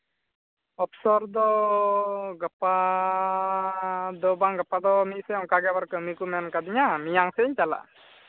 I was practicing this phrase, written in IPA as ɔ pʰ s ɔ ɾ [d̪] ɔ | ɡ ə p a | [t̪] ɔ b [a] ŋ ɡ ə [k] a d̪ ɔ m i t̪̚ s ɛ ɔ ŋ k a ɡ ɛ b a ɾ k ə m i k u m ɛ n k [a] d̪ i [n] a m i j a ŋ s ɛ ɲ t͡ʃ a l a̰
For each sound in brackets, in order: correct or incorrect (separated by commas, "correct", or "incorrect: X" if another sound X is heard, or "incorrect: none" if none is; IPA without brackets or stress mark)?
correct, incorrect: d̪, correct, incorrect: p, correct, incorrect: ɲ